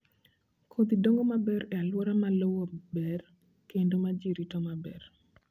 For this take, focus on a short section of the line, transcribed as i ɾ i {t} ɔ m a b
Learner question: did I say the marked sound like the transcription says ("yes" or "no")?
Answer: yes